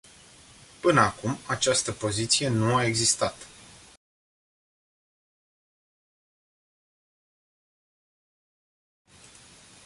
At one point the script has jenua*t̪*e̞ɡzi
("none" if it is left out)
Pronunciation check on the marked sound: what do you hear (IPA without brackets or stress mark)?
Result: none